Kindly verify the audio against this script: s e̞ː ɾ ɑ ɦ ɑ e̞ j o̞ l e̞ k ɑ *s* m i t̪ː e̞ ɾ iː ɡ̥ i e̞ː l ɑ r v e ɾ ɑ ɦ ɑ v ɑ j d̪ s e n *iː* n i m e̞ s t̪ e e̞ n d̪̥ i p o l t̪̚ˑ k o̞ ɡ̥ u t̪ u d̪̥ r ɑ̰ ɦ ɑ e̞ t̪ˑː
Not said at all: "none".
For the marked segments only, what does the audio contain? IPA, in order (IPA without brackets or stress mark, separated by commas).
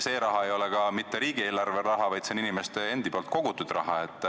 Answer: none, i